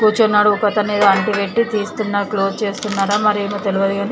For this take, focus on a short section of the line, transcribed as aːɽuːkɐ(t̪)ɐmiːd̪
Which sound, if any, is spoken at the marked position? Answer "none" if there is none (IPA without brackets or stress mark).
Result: t̪